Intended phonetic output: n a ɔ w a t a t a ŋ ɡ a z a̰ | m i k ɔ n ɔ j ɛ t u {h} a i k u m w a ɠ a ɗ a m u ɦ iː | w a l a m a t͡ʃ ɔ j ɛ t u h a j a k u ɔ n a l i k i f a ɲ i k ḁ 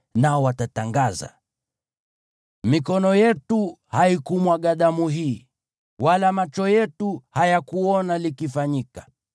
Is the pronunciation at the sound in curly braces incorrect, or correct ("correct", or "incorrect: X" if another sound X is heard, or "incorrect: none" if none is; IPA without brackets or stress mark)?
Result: correct